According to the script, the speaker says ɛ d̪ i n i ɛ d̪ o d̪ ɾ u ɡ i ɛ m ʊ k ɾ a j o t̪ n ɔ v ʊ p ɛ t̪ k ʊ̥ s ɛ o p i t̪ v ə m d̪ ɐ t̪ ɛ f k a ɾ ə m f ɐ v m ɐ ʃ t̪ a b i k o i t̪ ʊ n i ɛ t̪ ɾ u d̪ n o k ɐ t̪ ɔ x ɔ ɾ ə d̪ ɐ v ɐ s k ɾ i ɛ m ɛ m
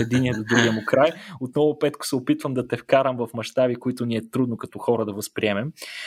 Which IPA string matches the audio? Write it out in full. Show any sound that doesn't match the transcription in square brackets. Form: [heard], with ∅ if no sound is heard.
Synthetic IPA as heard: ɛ d̪ i n i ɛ d̪ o d̪ ɾ u ɡ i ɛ m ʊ k ɾ a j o t̪ n ɔ v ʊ p ɛ t̪ k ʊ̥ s ɛ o p i t̪ v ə m d̪ ɐ t̪ ɛ f k a ɾ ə m [v] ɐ [f] m ɐ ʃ t̪ a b i k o i t̪ ʊ n i ɛ t̪ ɾ u d̪ n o k ɐ t̪ ɔ x ɔ ɾ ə d̪ ɐ v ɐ s [p] ɾ i ɛ m ɛ m